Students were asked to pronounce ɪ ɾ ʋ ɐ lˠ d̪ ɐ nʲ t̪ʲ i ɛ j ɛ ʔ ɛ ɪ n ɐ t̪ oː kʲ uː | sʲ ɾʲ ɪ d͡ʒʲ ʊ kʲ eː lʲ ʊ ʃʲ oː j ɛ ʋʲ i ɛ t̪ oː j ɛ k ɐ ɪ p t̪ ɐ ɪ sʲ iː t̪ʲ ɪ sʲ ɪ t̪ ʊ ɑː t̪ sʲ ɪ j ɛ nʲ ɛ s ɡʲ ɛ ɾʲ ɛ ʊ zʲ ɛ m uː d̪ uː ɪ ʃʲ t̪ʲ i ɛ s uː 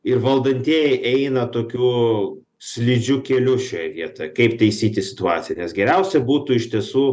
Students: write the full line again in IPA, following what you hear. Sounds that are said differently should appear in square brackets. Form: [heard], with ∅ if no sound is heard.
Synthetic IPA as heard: ɪ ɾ ʋ ɐ lˠ d̪ ɐ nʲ t̪ʲ i ɛ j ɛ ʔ ɛ ɪ n ɐ t̪ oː kʲ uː | sʲ [lʲ] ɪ d͡ʒʲ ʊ kʲ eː lʲ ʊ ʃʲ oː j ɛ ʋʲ i ɛ t̪ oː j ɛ k ɐ ɪ p t̪ ɐ ɪ sʲ iː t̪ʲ ɪ sʲ ɪ t̪ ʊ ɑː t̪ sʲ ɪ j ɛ nʲ ɛ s ɡʲ ɛ ɾʲ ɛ ʊ [sʲ] ɛ [b] uː [t̪] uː ɪ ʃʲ t̪ʲ i ɛ s uː